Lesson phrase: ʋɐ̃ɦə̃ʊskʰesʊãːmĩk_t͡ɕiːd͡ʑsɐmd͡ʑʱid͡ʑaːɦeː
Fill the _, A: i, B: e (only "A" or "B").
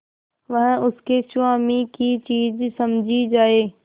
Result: A